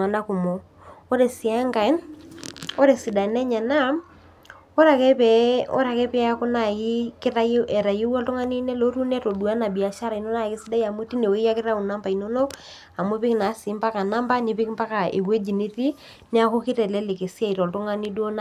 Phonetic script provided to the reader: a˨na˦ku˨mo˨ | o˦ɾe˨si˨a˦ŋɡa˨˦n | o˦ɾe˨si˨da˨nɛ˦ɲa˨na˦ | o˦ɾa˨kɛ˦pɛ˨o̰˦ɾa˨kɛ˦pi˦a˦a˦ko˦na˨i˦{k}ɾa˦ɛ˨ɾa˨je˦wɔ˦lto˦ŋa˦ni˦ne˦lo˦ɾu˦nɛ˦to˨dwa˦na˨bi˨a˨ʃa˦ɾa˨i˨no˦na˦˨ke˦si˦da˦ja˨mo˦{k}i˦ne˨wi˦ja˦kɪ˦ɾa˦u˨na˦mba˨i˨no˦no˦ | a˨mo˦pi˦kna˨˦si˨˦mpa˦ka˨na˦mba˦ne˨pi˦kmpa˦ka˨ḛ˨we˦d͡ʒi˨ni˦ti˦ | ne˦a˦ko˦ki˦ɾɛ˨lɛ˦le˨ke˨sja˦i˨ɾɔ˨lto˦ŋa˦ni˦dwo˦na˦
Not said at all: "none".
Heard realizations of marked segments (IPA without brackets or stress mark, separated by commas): k, t